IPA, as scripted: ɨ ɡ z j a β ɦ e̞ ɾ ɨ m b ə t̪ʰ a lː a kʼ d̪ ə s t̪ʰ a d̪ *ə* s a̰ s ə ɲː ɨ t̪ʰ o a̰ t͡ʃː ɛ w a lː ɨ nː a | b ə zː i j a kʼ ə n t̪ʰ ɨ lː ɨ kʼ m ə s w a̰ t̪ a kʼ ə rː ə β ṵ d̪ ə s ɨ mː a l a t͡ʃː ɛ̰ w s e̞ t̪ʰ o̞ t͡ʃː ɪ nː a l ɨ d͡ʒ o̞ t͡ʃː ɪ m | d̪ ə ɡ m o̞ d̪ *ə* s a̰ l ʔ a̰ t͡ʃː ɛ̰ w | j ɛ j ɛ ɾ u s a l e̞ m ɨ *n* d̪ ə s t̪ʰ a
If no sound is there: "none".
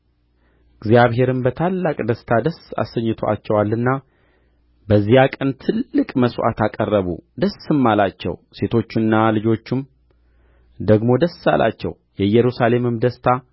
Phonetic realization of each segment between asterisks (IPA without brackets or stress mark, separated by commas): ə, ə, m